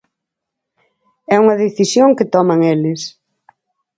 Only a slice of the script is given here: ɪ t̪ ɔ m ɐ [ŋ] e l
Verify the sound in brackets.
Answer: correct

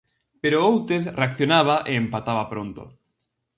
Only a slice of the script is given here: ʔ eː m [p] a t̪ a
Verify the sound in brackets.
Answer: correct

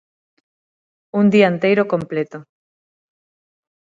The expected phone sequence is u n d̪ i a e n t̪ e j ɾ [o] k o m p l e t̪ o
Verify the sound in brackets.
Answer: correct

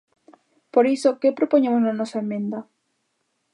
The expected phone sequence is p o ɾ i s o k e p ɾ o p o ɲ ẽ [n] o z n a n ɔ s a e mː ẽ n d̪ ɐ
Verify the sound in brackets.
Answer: incorrect: m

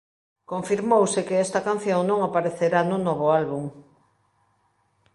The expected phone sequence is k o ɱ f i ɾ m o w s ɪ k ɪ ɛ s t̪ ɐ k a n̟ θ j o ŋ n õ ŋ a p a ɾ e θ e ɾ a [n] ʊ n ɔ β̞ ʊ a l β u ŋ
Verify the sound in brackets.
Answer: correct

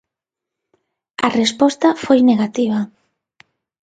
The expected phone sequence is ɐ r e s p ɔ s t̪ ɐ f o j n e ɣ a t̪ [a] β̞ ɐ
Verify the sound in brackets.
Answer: incorrect: i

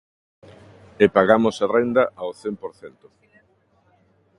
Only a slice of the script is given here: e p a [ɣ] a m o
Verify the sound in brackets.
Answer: correct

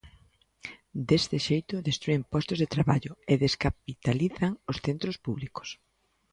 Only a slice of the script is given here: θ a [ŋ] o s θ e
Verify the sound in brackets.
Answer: correct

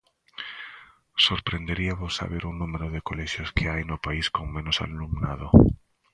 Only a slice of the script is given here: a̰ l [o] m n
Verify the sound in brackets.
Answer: incorrect: u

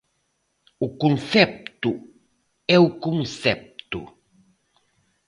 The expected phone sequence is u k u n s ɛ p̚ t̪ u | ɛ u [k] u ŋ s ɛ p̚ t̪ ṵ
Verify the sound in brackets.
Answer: correct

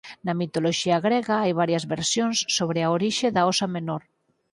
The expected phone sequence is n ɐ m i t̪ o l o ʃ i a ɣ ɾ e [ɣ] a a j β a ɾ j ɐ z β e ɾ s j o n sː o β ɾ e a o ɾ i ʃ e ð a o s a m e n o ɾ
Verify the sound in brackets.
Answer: correct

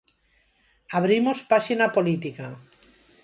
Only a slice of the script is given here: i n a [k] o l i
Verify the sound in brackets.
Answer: incorrect: p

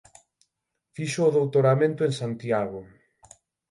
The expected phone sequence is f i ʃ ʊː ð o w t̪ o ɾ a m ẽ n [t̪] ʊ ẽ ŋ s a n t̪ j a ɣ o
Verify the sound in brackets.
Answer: correct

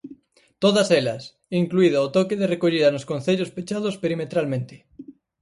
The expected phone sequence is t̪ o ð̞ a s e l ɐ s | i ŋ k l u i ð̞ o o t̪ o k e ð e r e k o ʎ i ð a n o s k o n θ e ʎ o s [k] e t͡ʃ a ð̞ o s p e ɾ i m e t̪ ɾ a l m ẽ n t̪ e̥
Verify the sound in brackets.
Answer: incorrect: p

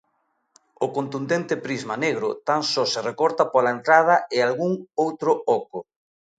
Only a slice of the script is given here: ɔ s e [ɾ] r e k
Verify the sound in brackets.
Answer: incorrect: none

